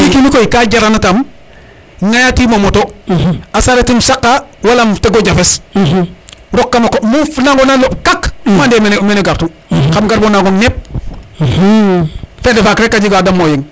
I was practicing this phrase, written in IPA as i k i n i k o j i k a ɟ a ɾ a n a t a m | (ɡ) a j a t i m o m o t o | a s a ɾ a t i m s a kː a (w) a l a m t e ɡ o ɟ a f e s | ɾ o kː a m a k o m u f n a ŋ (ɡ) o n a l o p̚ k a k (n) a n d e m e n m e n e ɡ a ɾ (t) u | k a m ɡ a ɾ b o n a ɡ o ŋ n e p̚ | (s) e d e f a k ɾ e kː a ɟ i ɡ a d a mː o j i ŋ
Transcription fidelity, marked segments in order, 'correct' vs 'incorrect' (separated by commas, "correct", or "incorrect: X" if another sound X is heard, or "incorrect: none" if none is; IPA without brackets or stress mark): incorrect: ŋ, correct, correct, incorrect: m, correct, incorrect: f